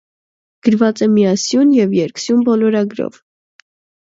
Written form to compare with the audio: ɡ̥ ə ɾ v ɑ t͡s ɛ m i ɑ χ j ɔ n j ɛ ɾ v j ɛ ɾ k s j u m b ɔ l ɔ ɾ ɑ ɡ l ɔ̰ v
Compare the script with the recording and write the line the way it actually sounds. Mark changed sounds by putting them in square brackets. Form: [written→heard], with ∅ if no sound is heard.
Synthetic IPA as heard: ɡ̥ ə ɾ v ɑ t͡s ɛ m i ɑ [χ→s] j [ɔ→u] n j ɛ [ɾ→∅] v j ɛ ɾ k s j u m b ɔ l ɔ ɾ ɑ ɡ [l→ɾ] ɔ̰ v